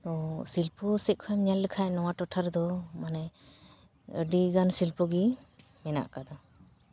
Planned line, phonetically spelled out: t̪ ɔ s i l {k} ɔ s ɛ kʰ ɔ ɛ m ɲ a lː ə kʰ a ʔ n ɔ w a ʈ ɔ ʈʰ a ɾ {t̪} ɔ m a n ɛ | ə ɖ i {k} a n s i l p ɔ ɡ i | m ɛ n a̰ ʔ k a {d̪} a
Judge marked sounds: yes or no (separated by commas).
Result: no, no, no, yes